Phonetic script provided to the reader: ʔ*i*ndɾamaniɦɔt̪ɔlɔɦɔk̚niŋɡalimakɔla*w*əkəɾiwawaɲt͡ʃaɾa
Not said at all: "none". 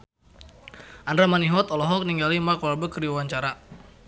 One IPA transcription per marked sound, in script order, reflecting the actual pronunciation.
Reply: a, b

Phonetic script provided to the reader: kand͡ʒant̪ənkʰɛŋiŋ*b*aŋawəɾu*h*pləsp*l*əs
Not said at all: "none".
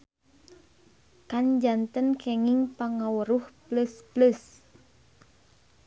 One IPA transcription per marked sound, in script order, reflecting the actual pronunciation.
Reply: p, h, l

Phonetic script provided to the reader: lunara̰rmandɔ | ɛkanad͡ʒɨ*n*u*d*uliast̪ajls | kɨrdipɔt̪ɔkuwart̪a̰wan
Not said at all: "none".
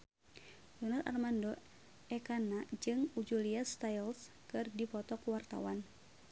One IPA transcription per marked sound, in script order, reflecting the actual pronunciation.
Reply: ŋ, d͡ʒ

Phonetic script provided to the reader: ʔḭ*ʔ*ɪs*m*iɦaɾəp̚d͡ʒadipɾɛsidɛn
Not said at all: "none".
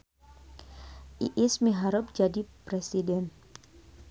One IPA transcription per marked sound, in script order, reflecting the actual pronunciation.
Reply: ʔ, m

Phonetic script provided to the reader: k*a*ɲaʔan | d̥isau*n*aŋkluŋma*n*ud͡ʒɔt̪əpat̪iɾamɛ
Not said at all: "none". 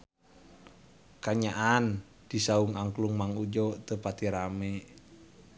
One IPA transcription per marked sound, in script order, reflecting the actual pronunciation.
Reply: a, ŋ, ŋ

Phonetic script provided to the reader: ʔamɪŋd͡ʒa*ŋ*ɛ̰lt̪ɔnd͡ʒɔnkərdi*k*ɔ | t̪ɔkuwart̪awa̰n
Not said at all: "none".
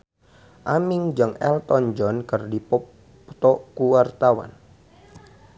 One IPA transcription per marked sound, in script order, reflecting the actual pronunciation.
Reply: ŋ, p

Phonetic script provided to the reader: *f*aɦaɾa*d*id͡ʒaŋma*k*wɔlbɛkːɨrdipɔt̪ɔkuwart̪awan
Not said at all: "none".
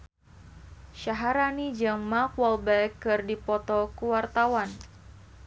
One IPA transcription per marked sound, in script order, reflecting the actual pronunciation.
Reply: ʃ, n, k

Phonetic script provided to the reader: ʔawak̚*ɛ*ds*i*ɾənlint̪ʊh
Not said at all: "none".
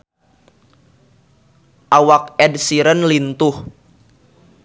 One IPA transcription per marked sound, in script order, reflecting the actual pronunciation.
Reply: ɛ, i

